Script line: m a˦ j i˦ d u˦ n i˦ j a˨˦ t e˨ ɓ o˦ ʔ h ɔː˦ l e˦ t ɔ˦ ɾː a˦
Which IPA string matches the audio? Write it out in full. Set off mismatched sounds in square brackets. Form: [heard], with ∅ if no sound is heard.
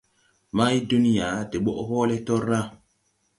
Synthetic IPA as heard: m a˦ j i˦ d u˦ n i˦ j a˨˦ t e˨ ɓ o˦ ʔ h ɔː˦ l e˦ t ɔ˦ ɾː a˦

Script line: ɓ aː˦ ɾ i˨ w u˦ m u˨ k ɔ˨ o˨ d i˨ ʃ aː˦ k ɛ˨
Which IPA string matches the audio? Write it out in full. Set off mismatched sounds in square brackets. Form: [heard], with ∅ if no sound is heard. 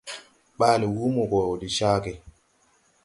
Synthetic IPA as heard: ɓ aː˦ [l] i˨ w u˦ m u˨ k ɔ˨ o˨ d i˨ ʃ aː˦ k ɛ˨

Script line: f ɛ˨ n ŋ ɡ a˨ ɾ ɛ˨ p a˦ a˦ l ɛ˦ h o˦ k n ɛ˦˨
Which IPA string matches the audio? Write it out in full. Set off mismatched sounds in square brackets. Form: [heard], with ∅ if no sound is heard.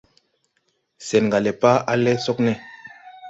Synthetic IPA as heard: [s] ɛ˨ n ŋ ɡ a˨ [l] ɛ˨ p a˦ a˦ l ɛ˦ [s] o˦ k n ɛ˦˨

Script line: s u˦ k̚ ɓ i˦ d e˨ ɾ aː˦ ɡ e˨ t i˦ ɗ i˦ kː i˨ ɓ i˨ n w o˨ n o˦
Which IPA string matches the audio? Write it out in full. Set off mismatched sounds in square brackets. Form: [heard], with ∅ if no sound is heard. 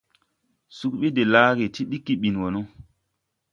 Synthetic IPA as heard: s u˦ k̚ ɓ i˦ d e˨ [l] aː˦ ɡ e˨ t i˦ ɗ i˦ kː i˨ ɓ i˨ n w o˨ n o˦

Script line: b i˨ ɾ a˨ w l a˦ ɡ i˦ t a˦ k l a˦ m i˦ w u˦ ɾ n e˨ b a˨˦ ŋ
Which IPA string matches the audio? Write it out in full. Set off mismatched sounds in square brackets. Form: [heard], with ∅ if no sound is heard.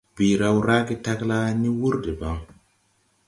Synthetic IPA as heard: b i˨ ɾ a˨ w [ɾ] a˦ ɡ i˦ t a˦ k l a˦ [n] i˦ w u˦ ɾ [d] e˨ b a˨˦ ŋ

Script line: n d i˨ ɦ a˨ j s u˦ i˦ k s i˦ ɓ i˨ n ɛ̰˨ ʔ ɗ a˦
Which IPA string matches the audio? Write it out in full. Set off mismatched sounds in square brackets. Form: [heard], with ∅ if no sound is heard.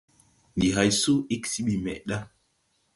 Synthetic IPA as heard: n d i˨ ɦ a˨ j s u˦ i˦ k s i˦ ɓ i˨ [m] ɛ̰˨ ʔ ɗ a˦

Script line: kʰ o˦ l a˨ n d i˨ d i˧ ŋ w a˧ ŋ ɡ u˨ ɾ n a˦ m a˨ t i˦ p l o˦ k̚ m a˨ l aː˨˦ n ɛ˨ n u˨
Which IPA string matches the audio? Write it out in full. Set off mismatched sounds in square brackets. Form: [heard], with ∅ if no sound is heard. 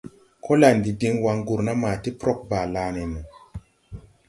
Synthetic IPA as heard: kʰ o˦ l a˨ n d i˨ d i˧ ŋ w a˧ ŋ ɡ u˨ ɾ n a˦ m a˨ t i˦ p [ɾ] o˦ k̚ [b] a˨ l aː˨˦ n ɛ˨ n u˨

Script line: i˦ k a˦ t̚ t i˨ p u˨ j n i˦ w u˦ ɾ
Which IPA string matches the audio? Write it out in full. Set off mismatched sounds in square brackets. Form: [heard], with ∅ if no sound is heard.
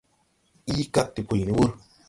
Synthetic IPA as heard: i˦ k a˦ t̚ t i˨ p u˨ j n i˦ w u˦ ɾ

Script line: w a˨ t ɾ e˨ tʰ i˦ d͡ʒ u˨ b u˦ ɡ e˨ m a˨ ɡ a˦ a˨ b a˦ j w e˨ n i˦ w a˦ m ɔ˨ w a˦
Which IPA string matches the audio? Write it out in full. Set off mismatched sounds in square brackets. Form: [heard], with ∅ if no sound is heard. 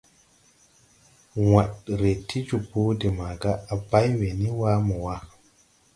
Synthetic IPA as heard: w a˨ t ɾ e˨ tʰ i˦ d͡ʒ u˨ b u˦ [d] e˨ m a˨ ɡ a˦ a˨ b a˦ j w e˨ n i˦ w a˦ m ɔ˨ w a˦

